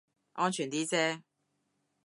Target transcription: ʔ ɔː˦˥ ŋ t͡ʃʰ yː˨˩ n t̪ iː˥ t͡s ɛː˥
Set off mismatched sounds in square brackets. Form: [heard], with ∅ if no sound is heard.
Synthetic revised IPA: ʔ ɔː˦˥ [n] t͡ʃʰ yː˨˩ n t̪ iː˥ t͡s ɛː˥